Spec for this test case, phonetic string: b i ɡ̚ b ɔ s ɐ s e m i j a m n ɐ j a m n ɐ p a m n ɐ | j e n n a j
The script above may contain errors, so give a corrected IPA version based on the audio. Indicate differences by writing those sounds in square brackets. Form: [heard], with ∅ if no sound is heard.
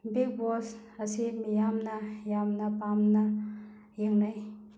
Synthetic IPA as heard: b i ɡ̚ b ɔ s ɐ s [i] m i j a m n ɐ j a m n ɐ p a m n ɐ | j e [ŋ] n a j